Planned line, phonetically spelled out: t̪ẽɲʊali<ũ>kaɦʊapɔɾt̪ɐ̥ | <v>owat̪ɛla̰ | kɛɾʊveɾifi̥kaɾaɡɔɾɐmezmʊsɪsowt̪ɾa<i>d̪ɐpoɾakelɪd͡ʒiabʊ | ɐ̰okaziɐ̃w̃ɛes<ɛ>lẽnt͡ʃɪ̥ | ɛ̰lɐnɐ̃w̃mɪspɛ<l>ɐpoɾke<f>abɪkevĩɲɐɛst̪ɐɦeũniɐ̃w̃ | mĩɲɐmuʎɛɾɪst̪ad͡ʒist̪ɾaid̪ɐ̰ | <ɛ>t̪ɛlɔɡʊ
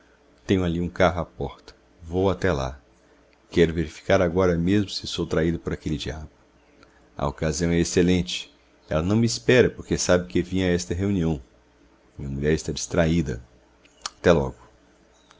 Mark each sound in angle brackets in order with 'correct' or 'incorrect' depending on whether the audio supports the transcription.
correct, correct, correct, incorrect: e, incorrect: ɾ, incorrect: s, incorrect: a

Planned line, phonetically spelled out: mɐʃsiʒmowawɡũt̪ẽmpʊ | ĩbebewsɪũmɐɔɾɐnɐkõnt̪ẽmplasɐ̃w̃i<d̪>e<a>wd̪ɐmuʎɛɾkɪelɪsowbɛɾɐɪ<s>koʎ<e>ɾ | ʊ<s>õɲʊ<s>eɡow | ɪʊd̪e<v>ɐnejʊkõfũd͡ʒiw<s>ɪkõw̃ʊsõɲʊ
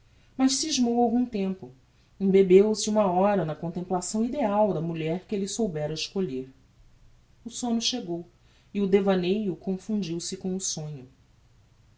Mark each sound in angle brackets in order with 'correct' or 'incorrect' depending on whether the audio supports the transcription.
correct, correct, incorrect: ʃ, correct, correct, incorrect: ʃ, correct, correct

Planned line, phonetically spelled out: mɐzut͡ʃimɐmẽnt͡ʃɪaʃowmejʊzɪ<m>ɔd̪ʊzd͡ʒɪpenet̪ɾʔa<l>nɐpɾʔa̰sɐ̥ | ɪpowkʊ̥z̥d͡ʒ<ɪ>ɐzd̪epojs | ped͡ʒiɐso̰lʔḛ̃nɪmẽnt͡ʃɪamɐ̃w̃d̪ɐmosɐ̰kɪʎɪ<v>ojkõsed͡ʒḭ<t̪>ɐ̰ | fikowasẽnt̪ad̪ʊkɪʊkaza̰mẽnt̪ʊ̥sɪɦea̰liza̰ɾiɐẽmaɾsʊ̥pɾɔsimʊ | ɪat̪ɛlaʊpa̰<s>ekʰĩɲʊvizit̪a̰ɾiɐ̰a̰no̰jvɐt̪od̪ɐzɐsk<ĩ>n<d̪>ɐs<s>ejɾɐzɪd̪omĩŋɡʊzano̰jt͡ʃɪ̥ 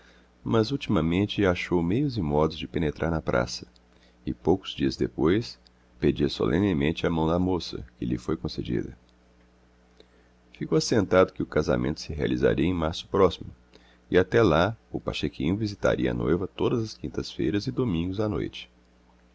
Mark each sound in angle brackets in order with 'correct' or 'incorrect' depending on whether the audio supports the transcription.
correct, incorrect: ɾ, incorrect: i, incorrect: f, incorrect: d̪, incorrect: ʃ, correct, incorrect: t̪, incorrect: f

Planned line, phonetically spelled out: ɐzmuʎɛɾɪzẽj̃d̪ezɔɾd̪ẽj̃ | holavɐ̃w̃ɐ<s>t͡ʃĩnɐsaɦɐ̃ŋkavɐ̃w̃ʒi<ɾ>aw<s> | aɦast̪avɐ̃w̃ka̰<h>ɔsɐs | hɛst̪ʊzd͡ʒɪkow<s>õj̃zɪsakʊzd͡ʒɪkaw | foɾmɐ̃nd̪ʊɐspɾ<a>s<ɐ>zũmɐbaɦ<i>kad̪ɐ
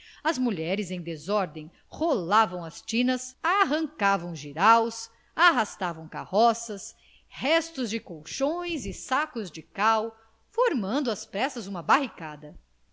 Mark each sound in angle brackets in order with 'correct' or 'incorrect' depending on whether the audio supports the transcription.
correct, correct, correct, correct, incorrect: ʃ, incorrect: ɛ, correct, correct

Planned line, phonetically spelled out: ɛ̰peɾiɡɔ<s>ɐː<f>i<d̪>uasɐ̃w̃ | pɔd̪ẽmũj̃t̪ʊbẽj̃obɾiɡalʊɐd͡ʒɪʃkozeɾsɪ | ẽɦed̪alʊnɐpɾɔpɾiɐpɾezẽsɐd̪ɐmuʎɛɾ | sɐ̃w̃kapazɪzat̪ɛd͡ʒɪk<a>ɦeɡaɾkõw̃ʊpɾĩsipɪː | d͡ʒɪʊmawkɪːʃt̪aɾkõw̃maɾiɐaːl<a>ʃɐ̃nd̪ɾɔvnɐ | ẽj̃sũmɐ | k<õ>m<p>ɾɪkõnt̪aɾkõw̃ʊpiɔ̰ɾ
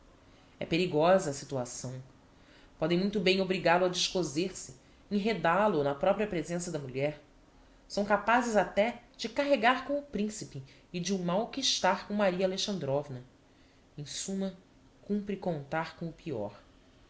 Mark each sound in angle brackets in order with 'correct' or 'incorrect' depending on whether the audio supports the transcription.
incorrect: z, incorrect: s, incorrect: t̪, correct, incorrect: e, incorrect: ũ, correct

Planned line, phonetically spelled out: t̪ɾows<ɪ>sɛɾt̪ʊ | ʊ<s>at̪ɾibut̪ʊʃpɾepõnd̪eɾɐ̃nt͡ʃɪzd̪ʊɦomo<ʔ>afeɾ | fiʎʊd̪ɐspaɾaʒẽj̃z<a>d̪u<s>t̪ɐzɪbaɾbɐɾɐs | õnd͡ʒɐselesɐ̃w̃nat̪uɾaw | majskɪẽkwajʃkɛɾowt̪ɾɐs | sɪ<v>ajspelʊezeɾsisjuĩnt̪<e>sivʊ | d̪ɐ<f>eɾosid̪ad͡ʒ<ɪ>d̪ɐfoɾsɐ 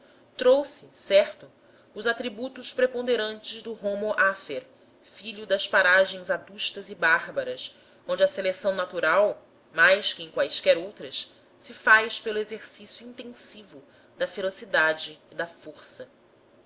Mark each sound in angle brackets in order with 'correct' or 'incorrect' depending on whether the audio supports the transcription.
correct, incorrect: z, correct, correct, incorrect: ʃ, incorrect: f, incorrect: ẽ, correct, incorrect: ɪː

